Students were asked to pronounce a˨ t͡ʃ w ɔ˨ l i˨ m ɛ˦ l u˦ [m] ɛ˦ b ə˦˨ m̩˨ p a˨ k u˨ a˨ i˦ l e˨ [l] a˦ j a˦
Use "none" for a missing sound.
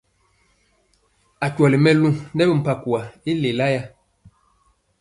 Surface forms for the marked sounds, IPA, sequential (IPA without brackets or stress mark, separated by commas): n, l